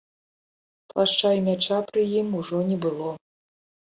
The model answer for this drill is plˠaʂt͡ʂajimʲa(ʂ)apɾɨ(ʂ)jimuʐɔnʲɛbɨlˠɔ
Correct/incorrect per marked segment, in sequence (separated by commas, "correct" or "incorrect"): incorrect, incorrect